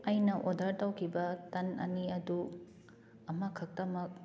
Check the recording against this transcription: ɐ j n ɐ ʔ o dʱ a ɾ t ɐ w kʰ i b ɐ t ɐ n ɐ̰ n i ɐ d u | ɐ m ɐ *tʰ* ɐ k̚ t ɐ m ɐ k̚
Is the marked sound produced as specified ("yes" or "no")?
no